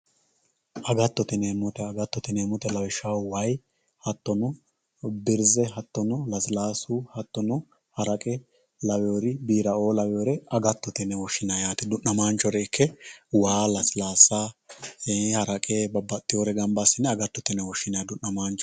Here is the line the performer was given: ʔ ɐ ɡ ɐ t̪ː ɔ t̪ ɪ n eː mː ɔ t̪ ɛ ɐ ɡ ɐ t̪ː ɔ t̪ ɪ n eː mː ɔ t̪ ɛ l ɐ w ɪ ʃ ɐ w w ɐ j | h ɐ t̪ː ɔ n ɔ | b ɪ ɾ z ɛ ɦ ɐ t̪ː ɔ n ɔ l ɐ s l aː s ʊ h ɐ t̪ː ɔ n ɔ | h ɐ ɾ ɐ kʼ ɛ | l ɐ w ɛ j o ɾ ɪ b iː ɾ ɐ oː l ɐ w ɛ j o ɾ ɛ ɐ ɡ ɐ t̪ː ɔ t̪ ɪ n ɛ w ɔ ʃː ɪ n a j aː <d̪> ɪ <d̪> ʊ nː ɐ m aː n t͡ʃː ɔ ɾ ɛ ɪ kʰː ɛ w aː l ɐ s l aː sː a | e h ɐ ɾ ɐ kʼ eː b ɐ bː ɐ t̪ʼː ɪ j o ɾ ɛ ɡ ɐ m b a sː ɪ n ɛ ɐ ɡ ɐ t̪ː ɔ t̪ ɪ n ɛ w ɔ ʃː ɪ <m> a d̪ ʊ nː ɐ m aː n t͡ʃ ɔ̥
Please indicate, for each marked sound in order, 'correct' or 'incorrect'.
incorrect: t̪, correct, incorrect: n

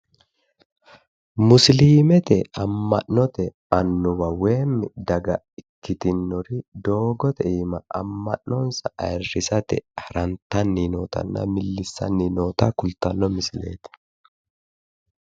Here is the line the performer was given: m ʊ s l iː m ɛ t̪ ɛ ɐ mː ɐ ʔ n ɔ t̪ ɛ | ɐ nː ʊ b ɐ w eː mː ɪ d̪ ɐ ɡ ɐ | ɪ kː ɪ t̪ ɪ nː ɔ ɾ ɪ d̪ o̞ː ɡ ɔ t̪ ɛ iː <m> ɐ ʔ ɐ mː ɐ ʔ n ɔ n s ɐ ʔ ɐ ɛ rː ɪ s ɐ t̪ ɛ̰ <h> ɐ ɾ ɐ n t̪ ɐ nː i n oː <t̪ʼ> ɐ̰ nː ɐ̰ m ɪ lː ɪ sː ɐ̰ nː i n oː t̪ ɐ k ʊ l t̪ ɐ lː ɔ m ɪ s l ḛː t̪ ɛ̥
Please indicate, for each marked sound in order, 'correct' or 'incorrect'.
correct, correct, incorrect: t̪

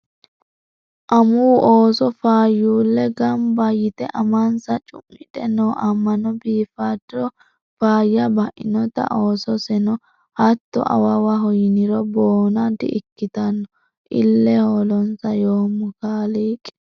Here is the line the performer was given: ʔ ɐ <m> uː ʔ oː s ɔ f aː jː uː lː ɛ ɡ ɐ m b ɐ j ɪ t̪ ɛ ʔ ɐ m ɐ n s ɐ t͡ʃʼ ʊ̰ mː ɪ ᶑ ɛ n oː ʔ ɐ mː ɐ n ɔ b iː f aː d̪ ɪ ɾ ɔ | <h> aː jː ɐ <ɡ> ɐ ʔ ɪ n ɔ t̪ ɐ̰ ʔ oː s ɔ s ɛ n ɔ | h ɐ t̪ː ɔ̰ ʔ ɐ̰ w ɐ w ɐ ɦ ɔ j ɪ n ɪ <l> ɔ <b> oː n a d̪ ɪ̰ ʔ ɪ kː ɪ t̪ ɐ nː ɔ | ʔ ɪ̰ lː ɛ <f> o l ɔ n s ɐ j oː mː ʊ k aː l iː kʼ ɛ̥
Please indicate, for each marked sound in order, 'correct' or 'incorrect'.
correct, incorrect: f, incorrect: b, incorrect: ɾ, correct, incorrect: h

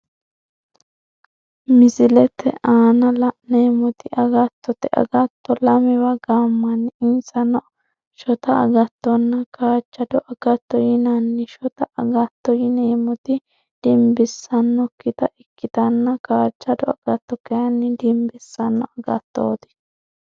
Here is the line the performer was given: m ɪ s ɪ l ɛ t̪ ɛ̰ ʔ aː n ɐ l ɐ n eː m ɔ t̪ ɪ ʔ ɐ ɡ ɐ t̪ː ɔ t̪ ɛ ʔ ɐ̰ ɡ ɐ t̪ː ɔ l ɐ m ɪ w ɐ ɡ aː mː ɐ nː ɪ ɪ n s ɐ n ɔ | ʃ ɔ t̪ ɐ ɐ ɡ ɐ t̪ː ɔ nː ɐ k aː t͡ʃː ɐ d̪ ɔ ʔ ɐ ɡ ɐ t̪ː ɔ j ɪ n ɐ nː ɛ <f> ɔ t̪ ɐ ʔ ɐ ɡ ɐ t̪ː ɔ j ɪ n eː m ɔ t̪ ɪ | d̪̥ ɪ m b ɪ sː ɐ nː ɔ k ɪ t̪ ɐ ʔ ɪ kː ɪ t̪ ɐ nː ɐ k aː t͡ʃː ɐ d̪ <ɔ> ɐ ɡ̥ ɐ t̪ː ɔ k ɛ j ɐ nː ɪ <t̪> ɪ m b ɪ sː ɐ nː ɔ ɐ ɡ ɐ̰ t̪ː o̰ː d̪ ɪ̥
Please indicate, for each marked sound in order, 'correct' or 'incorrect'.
incorrect: ʃ, correct, incorrect: d̪

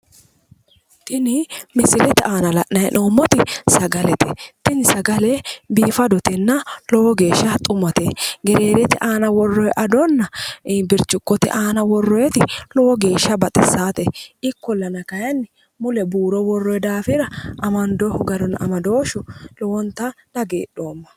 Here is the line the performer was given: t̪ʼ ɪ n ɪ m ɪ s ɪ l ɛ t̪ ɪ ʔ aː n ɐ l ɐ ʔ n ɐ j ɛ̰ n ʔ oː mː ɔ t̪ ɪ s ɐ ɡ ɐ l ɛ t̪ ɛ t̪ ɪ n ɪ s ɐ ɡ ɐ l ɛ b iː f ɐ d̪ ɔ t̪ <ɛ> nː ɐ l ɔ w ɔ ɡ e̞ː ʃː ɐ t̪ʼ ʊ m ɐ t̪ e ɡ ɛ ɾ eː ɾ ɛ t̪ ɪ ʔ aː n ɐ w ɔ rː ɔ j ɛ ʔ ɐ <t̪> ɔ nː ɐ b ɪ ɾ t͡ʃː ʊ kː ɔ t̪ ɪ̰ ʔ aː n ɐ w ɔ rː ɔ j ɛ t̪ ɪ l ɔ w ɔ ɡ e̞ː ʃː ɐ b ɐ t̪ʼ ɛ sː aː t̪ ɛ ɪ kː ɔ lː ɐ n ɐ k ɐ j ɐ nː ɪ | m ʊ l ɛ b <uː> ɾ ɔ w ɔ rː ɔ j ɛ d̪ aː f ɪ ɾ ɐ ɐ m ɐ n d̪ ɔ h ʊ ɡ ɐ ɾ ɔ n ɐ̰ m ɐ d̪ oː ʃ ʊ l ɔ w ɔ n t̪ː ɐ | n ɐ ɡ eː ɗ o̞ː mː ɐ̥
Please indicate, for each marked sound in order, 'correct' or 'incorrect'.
correct, incorrect: d̪, correct

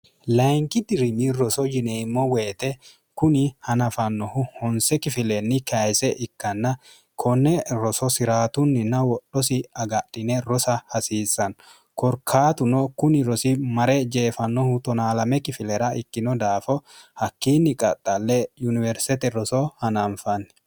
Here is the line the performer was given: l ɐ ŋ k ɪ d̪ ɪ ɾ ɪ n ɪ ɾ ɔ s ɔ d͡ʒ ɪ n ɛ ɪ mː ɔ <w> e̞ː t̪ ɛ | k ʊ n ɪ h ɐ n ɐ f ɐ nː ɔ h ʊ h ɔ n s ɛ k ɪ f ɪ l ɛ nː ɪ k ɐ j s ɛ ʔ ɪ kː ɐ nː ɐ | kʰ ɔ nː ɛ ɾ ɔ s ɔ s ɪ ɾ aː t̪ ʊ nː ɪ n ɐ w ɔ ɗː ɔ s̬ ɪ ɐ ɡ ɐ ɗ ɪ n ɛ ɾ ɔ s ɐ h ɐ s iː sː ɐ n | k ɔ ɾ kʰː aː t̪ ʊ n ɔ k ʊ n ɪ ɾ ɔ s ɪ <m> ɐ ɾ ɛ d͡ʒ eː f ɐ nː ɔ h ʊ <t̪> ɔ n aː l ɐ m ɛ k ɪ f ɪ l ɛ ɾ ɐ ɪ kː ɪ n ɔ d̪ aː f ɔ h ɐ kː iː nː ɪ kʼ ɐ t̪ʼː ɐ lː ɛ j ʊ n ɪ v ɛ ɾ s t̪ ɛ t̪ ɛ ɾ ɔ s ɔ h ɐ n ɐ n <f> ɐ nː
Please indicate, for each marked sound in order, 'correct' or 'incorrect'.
correct, correct, correct, correct

